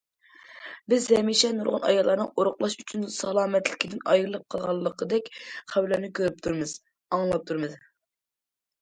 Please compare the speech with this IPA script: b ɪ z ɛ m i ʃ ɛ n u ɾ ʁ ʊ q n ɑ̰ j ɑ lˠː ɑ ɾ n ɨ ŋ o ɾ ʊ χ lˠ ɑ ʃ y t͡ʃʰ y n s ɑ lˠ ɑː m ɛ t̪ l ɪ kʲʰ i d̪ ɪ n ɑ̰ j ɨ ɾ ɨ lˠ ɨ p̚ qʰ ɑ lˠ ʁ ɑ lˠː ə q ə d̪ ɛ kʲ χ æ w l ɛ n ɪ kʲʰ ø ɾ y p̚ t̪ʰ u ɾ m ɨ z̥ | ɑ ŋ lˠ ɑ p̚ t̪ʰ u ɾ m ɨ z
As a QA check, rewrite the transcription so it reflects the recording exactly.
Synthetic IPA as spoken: b ɪ z ɛ m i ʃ ɛ n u ɾ ʁ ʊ n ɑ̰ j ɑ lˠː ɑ ɾ n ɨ ŋ o ɾ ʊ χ lˠ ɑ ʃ y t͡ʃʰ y n s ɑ lˠ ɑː m ɛ t̪ l ɪ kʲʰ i d̪ ɪ n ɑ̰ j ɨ ɾ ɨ lˠ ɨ p̚ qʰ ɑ lˠ ʁ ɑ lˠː ə q ə d̪ ɛ kʲ χ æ w l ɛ n ɪ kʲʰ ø ɾ y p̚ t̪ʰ u ɾ m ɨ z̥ | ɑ ŋ lˠ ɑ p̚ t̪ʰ u ɾ m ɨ z